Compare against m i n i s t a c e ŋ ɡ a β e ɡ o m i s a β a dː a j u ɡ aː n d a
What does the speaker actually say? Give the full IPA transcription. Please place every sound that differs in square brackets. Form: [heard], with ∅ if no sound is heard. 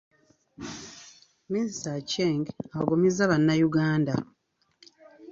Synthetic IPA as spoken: m i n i s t a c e ŋ ɡ a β [a] ɡ o m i [z] a β a [nː] a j u ɡ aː n d a